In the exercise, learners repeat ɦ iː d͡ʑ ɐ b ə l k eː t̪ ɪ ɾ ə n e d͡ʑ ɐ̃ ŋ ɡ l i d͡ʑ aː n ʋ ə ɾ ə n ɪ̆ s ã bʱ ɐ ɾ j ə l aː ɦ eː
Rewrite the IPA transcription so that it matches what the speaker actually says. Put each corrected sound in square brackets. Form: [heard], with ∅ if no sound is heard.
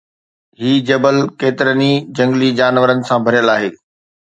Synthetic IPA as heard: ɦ iː d͡ʑ ɐ b ə l k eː t̪ ɪ ɾ ə n [i] d͡ʑ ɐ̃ ŋ ɡ l i d͡ʑ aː n ʋ ə ɾ ə n ɪ̆ s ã bʱ ɐ ɾ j ə l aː ɦ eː